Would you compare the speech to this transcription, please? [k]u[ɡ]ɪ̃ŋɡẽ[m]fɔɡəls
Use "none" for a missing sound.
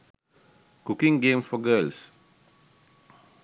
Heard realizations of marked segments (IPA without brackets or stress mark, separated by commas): k, k, m